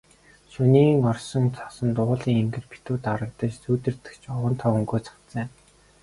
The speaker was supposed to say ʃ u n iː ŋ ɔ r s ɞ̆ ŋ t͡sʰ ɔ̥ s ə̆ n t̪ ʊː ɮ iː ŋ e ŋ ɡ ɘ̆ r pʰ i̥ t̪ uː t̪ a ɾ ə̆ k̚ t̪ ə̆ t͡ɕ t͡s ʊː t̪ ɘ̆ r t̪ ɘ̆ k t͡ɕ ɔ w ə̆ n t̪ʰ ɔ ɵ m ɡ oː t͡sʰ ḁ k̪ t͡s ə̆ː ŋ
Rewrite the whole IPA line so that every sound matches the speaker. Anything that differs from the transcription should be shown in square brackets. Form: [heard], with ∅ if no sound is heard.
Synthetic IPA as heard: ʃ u n iː ŋ ɔ r s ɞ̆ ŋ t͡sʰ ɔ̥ s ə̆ n t̪ ʊː ɮ iː ŋ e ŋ ɡ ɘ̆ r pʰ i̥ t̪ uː t̪ a ɾ ə̆ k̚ t̪ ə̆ t͡ɕ t͡s [uː] t̪ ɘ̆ r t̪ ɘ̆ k t͡ɕ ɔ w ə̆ n t̪ʰ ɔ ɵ [ŋ] ɡ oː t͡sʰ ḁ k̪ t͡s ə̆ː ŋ